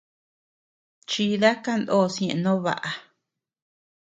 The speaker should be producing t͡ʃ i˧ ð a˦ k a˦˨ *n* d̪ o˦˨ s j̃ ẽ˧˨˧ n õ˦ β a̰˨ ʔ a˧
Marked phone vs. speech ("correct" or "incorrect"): correct